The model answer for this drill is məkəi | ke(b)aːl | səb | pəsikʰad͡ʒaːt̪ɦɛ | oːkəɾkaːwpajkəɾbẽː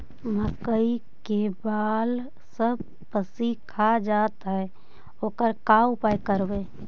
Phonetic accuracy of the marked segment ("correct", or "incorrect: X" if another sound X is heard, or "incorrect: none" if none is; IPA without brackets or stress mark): correct